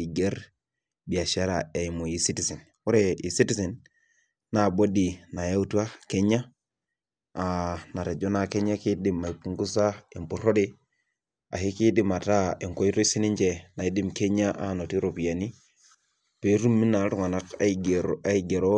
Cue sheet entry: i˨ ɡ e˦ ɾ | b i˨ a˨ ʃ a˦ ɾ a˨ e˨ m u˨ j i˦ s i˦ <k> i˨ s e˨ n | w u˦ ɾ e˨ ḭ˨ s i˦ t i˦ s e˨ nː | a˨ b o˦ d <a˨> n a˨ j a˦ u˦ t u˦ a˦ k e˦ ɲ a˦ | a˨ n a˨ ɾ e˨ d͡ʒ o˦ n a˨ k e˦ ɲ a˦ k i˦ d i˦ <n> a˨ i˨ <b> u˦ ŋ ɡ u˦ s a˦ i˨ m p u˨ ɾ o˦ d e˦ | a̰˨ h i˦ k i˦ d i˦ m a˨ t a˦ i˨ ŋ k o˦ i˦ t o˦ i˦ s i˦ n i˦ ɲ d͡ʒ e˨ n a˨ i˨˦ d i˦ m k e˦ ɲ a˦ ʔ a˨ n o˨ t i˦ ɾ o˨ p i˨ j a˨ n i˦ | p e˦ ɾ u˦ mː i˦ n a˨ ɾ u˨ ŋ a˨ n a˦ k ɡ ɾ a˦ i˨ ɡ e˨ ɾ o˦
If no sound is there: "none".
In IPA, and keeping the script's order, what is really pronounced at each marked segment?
t, i˨, m, p

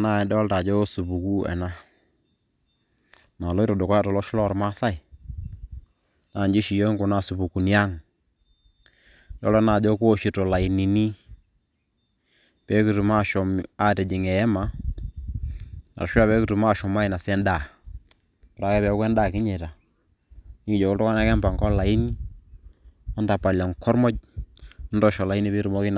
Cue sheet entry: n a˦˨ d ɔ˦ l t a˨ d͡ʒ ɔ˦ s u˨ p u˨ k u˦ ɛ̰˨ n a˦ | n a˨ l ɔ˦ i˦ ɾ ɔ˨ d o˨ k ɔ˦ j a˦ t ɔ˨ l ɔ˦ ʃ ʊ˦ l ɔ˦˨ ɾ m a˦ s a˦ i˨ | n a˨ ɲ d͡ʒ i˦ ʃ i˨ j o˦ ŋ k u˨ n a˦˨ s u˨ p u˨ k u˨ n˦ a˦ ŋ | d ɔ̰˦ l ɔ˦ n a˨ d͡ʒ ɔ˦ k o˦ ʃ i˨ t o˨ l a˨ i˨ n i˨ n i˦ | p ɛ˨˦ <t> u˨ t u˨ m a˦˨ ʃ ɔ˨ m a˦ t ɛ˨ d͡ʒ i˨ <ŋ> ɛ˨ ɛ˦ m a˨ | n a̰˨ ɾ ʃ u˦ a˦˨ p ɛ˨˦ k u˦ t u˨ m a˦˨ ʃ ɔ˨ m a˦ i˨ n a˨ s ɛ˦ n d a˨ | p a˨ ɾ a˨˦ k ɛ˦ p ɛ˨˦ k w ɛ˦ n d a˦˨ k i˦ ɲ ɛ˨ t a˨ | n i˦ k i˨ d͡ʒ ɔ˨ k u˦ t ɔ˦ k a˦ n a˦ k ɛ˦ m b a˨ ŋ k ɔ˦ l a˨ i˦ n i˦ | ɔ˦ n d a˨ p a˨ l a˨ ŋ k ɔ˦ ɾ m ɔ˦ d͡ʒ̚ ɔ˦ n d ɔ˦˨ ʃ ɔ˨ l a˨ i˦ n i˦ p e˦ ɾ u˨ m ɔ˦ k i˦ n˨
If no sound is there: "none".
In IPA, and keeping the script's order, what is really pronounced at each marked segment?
k, ŋ

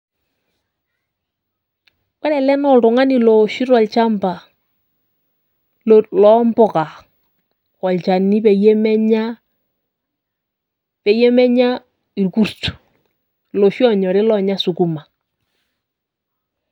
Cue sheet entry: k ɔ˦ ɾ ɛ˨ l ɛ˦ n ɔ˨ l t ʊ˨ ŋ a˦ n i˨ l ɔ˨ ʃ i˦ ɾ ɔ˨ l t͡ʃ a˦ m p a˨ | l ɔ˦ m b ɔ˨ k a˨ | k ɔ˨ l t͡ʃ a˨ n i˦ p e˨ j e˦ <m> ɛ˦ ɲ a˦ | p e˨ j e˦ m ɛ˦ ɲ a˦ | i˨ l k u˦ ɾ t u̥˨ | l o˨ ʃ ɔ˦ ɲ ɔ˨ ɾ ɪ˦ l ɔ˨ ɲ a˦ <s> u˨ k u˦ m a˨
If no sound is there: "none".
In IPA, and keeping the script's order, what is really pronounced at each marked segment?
m, s

